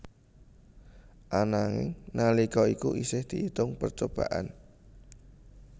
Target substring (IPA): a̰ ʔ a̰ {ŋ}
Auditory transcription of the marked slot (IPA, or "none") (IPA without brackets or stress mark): n